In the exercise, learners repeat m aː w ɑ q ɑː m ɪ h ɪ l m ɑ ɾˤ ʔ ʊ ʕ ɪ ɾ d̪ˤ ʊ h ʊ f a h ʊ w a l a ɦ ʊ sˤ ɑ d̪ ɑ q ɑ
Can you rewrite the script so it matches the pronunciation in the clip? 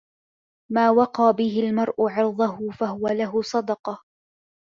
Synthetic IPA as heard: m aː w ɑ q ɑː b ɪ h ɪ l m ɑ ɾˤ ʔ ʊ ʕ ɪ ɾ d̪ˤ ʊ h ʊ f a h ʊ w a l a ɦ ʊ sˤ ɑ d̪ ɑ q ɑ